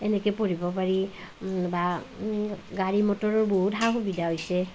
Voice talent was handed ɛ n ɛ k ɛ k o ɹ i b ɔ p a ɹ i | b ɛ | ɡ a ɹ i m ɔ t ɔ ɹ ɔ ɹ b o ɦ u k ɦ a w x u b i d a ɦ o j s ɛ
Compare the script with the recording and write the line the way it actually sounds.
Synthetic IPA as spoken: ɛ n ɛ k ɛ p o ɹ i b ɔ p a ɹ i | b a | ɡ a ɹ i m ɔ t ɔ ɹ ɔ ɹ b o ɦ u t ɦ a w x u b i d a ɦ o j s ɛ